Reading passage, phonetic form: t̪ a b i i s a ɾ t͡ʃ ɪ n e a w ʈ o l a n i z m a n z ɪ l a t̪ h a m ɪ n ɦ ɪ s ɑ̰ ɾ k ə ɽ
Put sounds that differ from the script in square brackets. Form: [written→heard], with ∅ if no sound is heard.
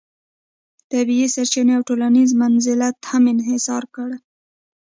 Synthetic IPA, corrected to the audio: t̪ a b i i s a ɾ t͡ʃ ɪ n e a w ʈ o l a n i z m a n z ɪ l a t̪ h a m ɪ n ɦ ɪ s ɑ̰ ɾ k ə ɽ